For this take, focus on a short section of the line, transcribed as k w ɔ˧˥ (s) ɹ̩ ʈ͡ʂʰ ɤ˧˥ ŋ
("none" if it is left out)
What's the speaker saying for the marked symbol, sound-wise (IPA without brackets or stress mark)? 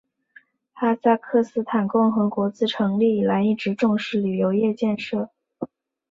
t͡s